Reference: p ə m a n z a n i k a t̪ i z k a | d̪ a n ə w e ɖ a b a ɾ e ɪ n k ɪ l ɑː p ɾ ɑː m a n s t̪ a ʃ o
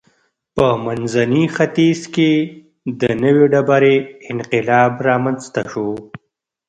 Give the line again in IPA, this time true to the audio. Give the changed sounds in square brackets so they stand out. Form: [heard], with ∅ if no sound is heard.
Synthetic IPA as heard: p ə m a n z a n i [x] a t̪ i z k [e] | d̪ [ə] n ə w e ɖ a b a ɾ e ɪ n [q] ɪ l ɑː [b] ɾ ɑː m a n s t̪ a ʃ o